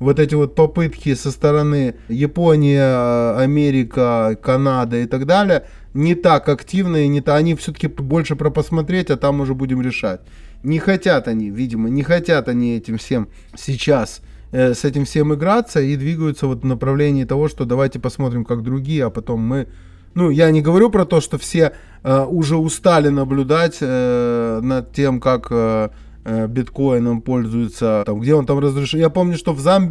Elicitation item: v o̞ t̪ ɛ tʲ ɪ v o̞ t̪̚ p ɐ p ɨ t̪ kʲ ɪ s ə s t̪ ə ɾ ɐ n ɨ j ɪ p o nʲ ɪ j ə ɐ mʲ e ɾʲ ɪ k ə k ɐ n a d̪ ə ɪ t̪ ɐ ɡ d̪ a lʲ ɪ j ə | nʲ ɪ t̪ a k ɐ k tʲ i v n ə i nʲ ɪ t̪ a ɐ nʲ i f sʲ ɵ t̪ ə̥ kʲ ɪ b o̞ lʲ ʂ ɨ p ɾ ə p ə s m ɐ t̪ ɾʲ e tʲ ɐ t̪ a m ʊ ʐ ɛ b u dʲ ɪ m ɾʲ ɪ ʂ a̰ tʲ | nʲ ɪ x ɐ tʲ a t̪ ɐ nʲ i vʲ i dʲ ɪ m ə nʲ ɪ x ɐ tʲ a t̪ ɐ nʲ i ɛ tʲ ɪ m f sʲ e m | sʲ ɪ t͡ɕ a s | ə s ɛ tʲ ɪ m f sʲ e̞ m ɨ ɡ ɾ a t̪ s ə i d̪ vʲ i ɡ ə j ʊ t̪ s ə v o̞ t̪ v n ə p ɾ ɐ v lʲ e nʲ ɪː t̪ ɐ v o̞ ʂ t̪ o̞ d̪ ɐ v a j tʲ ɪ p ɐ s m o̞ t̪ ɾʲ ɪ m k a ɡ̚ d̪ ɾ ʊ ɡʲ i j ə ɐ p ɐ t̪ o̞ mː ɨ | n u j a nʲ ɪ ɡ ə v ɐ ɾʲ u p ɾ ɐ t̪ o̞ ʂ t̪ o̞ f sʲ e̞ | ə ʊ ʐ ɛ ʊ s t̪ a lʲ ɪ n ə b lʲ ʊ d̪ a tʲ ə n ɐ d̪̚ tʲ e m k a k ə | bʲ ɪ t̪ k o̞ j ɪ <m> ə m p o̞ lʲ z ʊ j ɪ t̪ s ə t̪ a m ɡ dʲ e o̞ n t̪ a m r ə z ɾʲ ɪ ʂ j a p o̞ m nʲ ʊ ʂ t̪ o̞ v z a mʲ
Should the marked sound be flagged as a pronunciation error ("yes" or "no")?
yes